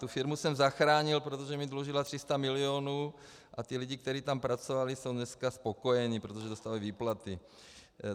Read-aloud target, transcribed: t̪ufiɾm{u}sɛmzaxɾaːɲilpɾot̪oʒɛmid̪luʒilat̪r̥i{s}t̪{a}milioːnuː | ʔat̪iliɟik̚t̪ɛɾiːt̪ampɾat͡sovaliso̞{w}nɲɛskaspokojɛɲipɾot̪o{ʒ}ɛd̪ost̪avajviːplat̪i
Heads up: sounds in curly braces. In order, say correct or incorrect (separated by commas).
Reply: correct, correct, correct, correct, correct